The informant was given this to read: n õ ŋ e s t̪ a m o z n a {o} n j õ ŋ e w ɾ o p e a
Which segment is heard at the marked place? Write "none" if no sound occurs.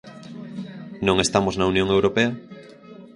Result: u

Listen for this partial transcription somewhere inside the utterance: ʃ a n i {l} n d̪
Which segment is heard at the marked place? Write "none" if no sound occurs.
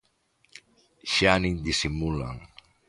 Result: none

